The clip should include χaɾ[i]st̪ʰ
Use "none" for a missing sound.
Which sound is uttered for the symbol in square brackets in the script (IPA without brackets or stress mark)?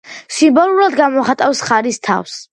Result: i